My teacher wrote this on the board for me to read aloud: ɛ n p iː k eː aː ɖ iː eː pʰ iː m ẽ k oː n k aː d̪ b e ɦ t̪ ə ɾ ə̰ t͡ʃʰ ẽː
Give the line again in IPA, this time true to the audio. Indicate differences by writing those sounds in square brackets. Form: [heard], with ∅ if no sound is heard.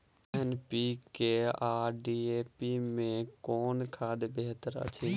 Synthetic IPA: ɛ n p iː k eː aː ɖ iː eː [p] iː m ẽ k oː n [kʰ] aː d̪ b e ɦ t̪ ə ɾ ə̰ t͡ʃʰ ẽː